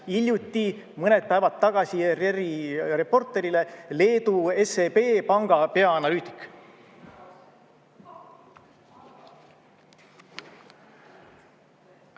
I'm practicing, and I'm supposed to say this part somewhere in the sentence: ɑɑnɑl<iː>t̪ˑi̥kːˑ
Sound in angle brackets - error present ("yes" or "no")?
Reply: yes